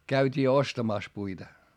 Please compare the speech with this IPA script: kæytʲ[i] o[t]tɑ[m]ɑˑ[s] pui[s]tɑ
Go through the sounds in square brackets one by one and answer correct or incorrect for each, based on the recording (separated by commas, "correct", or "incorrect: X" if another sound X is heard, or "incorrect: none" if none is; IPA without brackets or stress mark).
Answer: incorrect: iː, incorrect: s, correct, correct, incorrect: none